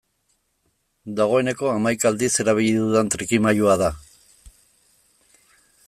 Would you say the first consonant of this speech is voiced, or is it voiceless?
voiced